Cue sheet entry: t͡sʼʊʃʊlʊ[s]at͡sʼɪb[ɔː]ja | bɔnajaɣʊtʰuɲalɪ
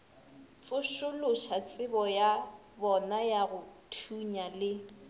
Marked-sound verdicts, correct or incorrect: incorrect: ʃ, incorrect: ɔ

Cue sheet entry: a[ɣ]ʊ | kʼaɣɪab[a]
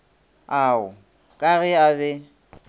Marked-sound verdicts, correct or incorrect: incorrect: none, incorrect: ɛ

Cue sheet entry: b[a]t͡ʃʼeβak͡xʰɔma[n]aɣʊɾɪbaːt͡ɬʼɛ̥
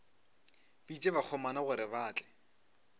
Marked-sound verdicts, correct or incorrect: incorrect: i, correct

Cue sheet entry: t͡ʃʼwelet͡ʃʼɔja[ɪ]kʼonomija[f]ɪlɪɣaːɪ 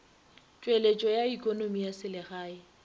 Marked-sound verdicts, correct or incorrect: incorrect: i, incorrect: s

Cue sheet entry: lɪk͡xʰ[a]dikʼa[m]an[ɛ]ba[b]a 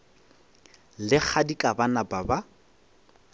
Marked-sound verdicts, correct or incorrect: correct, incorrect: b, incorrect: a, correct

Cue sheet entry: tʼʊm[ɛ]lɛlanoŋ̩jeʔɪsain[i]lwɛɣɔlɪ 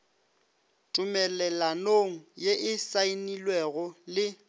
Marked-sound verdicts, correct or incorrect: correct, correct

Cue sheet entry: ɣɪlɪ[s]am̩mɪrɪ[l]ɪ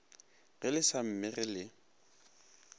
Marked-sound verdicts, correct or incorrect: correct, correct

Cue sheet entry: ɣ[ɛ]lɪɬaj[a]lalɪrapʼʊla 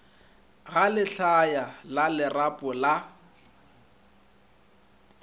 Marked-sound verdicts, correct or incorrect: incorrect: a, correct

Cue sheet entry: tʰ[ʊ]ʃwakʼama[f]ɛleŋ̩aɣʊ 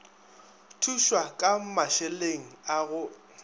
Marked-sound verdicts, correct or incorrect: incorrect: u, incorrect: ʃ

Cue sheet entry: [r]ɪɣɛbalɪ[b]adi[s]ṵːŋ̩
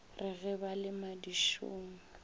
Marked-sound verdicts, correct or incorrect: correct, incorrect: m, incorrect: ʃ

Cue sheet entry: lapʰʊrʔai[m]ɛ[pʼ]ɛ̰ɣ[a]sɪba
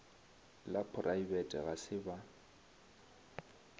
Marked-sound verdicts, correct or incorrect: incorrect: b, incorrect: tʼ, correct

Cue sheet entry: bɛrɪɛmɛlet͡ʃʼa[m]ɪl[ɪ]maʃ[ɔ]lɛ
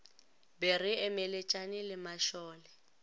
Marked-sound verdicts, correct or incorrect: incorrect: n, correct, incorrect: ɔː

